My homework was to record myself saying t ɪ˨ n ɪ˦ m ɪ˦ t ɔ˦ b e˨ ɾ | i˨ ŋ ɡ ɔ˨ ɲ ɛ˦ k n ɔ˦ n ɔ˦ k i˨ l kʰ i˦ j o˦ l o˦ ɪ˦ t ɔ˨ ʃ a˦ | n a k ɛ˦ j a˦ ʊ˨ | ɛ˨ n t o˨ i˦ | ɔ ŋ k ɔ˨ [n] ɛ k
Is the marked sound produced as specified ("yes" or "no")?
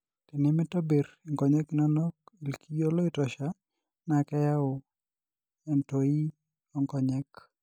no